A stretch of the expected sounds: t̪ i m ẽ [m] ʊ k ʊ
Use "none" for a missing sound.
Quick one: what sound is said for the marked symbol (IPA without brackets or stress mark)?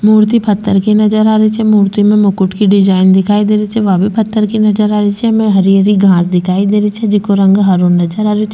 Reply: m